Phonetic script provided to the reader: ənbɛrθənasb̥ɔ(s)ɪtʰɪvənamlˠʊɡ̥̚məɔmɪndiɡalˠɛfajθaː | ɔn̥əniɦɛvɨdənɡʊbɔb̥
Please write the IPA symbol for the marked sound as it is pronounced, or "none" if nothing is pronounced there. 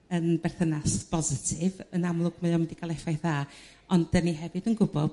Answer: z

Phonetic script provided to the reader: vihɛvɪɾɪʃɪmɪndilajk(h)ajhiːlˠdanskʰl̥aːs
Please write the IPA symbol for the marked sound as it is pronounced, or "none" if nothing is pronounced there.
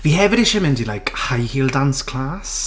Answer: h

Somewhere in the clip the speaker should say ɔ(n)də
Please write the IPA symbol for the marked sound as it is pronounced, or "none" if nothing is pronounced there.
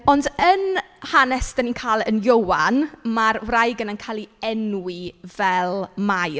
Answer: n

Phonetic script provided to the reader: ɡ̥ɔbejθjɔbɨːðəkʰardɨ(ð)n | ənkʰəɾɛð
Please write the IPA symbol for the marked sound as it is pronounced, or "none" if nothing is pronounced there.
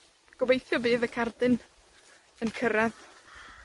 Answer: none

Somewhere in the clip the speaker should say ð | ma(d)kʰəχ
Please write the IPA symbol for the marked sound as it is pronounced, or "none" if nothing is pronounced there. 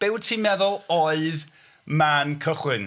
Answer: n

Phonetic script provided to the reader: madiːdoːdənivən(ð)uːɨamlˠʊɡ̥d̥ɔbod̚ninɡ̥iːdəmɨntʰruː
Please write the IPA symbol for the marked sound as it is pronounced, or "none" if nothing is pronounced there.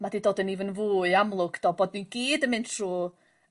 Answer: v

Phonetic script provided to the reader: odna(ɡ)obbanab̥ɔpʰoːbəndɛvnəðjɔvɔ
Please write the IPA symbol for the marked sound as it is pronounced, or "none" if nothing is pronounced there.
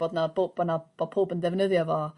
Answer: b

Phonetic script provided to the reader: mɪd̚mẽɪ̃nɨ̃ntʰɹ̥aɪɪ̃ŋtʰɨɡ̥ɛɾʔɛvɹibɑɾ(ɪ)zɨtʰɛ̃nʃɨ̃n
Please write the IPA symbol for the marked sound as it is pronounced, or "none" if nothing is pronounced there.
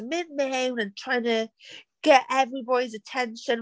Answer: i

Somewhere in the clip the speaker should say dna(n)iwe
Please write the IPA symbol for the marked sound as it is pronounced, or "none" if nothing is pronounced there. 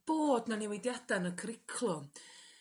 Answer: n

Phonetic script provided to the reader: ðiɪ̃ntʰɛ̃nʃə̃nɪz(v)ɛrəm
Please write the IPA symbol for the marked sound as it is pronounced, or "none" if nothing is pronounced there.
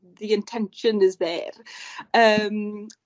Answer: ð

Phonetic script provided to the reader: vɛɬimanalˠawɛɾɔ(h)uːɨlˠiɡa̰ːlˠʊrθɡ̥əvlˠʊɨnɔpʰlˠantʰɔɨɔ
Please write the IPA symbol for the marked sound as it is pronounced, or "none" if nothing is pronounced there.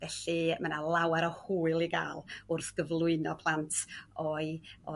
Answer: h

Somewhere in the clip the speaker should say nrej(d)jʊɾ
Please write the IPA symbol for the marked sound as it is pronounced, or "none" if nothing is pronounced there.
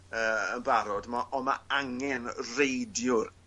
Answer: d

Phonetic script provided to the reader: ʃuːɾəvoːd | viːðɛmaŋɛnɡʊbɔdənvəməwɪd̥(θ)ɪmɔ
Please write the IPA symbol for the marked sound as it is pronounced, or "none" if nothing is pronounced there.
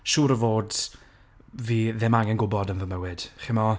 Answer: χ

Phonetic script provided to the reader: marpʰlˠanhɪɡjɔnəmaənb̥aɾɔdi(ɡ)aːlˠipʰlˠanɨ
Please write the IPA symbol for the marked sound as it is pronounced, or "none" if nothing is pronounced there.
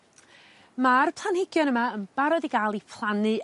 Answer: ɡ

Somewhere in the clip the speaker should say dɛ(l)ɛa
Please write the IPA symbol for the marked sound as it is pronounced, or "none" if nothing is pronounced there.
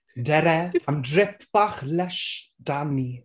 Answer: ɾ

